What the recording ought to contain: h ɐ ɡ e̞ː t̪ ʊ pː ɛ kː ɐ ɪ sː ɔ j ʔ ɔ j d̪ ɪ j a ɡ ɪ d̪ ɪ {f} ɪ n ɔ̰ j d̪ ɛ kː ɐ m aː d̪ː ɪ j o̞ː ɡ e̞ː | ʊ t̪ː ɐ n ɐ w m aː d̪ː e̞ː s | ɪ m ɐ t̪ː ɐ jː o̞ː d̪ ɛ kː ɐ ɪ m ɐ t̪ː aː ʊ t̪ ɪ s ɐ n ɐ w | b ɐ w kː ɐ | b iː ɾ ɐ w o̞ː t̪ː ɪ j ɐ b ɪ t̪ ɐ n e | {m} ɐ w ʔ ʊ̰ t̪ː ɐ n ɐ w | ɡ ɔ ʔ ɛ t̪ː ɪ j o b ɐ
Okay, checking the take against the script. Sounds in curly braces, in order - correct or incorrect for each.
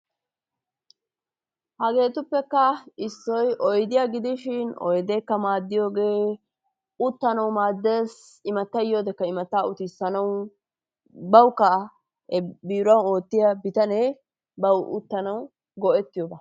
incorrect: ʃ, incorrect: b

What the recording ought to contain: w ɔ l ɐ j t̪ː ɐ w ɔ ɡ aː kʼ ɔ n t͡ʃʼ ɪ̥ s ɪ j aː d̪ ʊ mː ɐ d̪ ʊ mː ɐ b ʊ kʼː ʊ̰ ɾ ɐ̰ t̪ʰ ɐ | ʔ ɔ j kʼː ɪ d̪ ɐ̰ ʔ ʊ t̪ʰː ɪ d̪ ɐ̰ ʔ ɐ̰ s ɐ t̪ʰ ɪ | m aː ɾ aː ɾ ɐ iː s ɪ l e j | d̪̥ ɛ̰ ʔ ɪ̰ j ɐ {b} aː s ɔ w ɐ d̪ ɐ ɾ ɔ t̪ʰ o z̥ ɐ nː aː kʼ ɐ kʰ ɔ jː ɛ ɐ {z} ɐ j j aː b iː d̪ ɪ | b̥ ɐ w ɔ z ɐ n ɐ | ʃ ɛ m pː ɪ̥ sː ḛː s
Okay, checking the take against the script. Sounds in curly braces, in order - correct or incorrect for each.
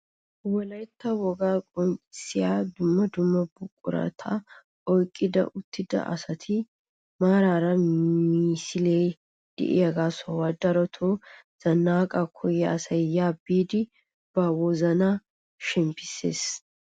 incorrect: ɡ, incorrect: s

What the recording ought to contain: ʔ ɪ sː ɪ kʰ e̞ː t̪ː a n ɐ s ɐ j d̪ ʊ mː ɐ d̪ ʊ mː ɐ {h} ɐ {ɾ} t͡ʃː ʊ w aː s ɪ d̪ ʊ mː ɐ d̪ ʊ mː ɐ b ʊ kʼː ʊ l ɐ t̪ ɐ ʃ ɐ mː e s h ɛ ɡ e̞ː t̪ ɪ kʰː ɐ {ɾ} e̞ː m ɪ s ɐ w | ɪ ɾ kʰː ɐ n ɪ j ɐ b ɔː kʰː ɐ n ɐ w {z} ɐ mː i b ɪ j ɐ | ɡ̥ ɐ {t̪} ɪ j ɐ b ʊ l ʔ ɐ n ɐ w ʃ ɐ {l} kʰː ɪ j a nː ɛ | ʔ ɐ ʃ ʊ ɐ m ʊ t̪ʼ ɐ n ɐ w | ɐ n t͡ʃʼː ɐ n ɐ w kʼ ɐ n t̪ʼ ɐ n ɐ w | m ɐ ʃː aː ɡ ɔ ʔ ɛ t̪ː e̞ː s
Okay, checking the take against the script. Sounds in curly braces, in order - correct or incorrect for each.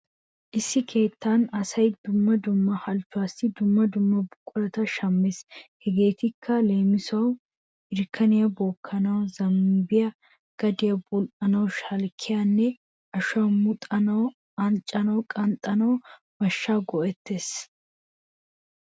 correct, incorrect: l, incorrect: l, correct, incorrect: d̪, correct

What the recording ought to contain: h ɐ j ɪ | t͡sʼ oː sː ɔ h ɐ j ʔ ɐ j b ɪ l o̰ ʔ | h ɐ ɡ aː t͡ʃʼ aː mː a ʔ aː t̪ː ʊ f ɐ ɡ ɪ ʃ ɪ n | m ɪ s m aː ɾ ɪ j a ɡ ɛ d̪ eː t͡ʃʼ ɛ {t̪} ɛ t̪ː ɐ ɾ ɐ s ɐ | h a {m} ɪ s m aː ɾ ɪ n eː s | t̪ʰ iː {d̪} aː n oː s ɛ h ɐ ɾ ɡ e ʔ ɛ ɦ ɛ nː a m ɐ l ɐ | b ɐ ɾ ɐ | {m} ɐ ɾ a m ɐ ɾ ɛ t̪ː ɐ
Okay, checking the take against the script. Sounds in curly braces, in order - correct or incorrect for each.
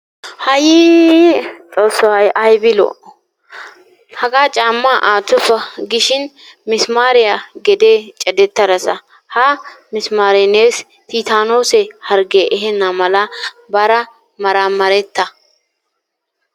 incorrect: d̪, correct, incorrect: t̪, correct

